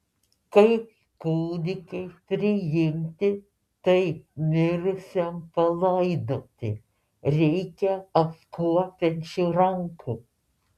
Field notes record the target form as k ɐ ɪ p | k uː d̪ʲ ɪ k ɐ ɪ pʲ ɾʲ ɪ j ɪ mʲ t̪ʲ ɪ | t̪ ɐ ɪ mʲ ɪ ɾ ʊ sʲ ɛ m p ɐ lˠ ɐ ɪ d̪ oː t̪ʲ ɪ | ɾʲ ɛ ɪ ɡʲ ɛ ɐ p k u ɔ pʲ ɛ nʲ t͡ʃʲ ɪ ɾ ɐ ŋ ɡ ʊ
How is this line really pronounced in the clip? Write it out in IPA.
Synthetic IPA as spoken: k ɐ ɪ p | k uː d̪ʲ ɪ k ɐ ɪ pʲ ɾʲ ɪ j ɪ mʲ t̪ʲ ɪ | t̪ ɐ ɪ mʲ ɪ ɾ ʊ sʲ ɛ m p ɐ lˠ ɐ ɪ d̪ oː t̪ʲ ɪ | ɾʲ ɛ ɪ kʲ ɛ ɐ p k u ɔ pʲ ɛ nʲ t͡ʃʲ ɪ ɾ ɐ ŋ k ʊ